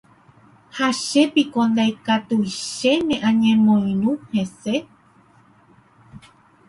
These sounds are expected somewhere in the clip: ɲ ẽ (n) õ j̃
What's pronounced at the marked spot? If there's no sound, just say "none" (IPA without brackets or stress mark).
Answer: m